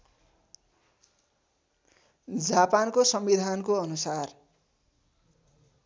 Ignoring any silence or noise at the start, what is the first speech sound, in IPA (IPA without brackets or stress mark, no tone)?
d͡z